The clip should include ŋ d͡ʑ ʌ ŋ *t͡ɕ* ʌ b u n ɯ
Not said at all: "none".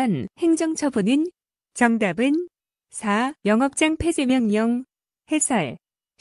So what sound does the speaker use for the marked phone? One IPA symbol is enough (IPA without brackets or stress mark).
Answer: t͡ɕʰ